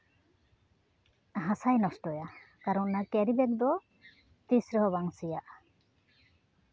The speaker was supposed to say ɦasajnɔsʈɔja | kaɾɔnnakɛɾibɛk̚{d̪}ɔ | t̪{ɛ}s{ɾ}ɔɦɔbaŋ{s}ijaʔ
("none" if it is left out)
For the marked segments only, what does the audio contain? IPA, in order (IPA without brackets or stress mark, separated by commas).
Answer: d̪, i, ɾ, s